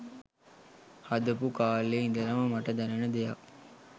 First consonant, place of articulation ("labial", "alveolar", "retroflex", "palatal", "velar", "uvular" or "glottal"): glottal